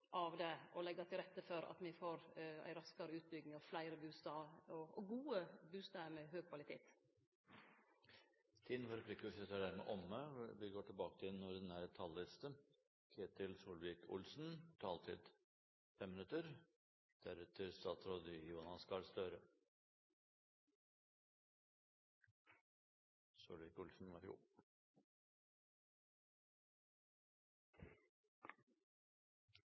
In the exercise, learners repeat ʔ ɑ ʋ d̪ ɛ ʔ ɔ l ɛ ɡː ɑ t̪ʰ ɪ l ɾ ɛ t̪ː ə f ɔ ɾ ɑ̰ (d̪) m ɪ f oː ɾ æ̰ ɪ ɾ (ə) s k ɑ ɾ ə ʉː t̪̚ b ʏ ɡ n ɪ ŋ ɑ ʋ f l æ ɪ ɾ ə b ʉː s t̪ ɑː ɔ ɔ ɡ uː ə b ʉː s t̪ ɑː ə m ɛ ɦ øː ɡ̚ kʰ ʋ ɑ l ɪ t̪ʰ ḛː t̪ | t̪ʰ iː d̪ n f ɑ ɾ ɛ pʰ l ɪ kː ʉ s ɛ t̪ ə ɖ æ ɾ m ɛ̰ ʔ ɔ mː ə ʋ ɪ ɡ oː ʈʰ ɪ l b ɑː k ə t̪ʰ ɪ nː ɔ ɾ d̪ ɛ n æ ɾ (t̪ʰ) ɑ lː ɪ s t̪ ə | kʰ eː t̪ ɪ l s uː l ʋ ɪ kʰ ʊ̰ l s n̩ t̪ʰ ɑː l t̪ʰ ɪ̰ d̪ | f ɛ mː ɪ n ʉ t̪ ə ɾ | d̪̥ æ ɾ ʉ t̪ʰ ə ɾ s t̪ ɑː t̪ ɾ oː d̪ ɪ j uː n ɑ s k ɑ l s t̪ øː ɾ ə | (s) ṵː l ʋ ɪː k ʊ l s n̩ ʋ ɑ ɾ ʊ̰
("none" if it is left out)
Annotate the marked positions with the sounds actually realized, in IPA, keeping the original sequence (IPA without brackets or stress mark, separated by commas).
t̪, ɑ, t̪ʰ, s